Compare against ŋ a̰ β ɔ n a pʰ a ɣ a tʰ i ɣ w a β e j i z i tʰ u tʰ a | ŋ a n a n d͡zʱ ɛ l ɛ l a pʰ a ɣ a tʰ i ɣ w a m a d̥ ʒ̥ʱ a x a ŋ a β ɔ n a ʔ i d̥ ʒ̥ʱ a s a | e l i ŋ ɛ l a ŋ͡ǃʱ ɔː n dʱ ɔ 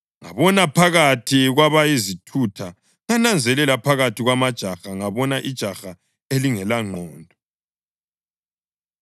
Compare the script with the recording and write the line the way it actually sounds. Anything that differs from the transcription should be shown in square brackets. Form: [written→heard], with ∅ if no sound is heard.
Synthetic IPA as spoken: ŋ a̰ β ɔ n a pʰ a ɣ a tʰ i ɣ w a β [e→a] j i z i tʰ u tʰ a | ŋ a n a n d͡zʱ ɛ l ɛ l a pʰ a ɣ a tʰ i ɣ w a m a d̥ ʒ̥ʱ a x a ŋ a β ɔ n a ʔ i d̥ ʒ̥ʱ a [s→x] a | e l i ŋ ɛ l a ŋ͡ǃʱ ɔː n dʱ ɔ